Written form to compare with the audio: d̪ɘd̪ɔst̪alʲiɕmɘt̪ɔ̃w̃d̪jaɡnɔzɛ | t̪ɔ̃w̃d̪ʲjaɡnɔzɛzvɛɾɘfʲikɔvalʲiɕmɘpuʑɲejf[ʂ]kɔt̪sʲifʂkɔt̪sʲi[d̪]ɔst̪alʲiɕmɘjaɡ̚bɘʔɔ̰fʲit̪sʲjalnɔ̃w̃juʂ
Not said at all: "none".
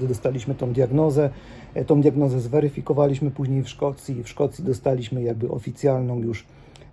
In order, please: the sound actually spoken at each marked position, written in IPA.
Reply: ʂ, d̪

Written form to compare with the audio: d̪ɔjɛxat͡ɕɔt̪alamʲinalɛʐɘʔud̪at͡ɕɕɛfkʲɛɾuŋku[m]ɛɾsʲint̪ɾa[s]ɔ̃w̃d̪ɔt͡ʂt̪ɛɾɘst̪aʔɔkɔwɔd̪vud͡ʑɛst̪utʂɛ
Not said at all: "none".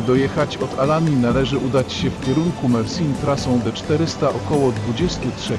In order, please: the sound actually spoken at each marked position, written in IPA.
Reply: m, s

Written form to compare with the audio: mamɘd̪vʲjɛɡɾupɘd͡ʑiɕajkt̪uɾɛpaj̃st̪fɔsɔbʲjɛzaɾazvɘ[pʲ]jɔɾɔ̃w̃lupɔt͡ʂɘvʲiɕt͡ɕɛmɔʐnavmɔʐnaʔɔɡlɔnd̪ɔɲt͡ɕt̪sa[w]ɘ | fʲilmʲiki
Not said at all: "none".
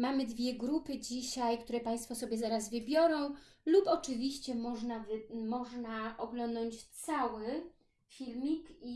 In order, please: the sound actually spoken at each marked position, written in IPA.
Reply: bʲ, w

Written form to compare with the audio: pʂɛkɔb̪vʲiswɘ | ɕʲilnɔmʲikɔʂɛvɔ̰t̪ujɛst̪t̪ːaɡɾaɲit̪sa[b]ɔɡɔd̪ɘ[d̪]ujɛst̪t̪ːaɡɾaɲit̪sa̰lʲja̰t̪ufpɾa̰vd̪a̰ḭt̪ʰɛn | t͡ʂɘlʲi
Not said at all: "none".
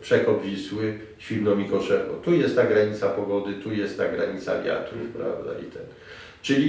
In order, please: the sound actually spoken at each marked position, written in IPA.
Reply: p, t̪

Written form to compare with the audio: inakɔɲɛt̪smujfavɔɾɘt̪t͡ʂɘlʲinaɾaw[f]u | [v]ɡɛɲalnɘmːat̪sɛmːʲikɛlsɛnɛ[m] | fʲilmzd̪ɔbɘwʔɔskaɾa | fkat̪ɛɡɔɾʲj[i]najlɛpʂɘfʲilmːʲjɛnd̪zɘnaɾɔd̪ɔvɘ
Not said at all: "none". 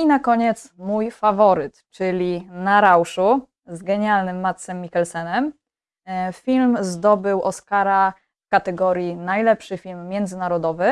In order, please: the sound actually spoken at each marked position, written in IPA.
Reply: ʂ, z, m, i

